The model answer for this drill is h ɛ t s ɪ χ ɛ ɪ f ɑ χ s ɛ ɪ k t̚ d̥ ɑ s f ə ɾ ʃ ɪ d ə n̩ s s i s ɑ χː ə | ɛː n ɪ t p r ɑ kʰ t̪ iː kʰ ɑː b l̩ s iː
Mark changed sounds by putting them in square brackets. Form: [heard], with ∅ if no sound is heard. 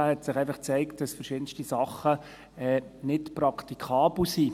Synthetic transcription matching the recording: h ɛ t s ɪ χ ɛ ɪ f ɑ χ [t͡s] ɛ ɪ k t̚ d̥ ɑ s f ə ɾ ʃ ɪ d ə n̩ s [t] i s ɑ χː ə | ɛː n ɪ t p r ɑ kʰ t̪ [i] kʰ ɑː b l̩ s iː